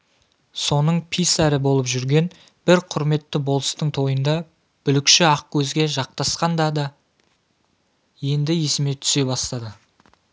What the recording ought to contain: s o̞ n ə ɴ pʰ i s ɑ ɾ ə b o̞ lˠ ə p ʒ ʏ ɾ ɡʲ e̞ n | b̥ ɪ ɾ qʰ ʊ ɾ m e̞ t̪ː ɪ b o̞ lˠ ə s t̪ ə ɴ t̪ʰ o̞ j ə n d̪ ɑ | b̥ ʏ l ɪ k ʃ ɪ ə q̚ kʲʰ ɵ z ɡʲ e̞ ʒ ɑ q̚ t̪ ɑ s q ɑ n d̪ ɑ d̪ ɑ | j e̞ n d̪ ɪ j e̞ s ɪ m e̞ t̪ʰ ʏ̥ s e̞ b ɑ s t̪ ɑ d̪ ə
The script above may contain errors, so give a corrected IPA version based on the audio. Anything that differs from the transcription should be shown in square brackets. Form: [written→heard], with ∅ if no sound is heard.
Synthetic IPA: s o̞ n ə ɴ pʰ i s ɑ ɾ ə b o̞ lˠ ə p ʒ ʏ ɾ ɡʲ e̞ n | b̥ ɪ ɾ qʰ ʊ ɾ m e̞ t̪ː ɪ b o̞ lˠ ə s t̪ ə ɴ t̪ʰ o̞ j ə n d̪ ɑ | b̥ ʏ l ɪ k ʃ ɪ [ə→ɑ] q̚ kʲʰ ɵ z ɡʲ e̞ ʒ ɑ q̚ t̪ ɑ s q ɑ n d̪ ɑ d̪ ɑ | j e̞ n d̪ ɪ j e̞ s ɪ m e̞ t̪ʰ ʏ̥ s e̞ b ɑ s t̪ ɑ d̪ ə